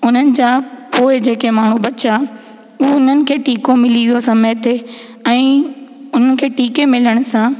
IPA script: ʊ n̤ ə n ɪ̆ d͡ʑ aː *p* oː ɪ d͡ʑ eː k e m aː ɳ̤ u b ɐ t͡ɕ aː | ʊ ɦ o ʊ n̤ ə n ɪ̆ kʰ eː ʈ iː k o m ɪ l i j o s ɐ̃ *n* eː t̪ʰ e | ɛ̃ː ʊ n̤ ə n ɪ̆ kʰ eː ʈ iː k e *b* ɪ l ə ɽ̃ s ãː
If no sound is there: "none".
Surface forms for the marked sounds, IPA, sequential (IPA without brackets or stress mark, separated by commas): p, m, m